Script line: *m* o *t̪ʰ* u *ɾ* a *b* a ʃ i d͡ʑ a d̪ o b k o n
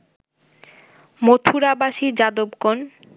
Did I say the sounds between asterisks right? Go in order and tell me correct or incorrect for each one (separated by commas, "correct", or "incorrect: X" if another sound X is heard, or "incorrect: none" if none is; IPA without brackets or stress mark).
correct, correct, correct, correct